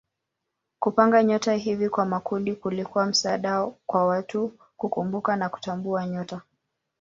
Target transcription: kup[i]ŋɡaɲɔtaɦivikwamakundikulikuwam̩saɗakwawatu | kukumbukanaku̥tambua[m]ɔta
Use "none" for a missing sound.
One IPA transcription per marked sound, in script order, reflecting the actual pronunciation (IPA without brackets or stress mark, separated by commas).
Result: a, ɲ